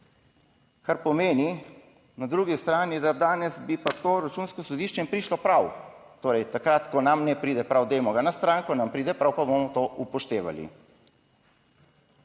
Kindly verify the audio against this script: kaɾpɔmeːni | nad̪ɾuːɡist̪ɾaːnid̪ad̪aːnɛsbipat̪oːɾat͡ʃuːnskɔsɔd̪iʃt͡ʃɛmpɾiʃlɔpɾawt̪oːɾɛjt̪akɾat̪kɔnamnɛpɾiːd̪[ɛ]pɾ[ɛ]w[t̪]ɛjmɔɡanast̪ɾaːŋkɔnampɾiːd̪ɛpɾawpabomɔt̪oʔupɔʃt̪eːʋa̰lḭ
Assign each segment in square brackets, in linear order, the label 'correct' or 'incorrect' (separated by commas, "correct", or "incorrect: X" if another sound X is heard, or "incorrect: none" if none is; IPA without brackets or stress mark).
correct, incorrect: a, incorrect: d̪